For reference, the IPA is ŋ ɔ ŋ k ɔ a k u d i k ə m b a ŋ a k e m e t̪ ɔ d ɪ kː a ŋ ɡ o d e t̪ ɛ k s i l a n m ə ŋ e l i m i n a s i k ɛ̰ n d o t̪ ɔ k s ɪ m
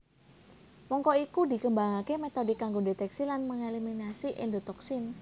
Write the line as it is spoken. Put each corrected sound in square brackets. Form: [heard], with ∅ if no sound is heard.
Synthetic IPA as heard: [m] ɔ ŋ k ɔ [i] k u d i k ə m b a ŋ a k e m e t̪ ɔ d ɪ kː a ŋ ɡ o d e t̪ ɛ k s i l a n m ə ŋ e l i m i n a s i [ʔ] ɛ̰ n d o t̪ ɔ k s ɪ [n]